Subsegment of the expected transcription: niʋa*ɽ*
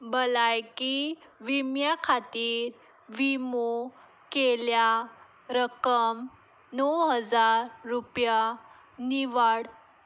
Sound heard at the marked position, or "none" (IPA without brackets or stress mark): ɽ